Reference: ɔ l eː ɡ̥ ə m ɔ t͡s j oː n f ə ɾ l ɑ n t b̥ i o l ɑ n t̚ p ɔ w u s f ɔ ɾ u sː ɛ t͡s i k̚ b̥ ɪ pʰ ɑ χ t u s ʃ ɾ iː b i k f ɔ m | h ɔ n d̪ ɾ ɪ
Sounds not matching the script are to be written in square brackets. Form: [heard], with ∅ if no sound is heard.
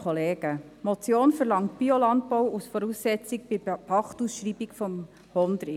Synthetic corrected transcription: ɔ l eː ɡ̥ ə m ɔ t͡s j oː n f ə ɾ l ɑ [ŋ] t b̥ i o l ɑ n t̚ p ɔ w u s f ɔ ɾ u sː ɛ t͡s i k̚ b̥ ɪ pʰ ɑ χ t u s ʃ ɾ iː b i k f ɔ m | h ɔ n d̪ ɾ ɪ